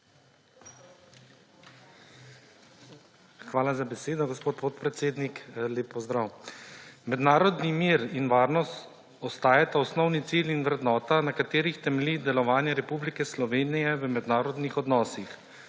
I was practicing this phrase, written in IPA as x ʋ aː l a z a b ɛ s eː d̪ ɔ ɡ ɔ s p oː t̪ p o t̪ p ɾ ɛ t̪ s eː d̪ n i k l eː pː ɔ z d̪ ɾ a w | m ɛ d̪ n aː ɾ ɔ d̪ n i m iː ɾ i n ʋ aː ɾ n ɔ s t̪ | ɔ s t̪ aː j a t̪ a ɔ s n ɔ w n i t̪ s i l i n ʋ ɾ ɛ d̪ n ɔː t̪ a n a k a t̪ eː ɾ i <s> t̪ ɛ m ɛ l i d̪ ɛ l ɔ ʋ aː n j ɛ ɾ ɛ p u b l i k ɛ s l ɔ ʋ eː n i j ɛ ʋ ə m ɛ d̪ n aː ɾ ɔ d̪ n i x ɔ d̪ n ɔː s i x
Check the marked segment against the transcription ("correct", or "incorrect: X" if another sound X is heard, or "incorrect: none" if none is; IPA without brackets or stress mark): incorrect: x